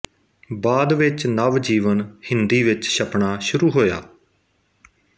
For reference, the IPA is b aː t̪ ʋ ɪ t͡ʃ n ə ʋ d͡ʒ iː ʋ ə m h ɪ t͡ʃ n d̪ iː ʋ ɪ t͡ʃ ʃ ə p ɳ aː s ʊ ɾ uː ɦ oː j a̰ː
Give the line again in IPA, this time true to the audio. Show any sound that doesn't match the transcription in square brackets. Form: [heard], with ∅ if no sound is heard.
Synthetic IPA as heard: b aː [d̪] ʋ ɪ t͡ʃ n ə ʋ d͡ʒ iː ʋ ə [n] h ɪ [∅] n d̪ iː ʋ ɪ t͡ʃ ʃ ə p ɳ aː [ʃ] ʊ ɾ uː ɦ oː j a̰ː